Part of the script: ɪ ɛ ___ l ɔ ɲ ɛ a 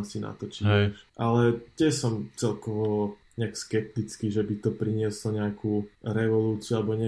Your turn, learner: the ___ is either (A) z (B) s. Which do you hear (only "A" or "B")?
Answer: B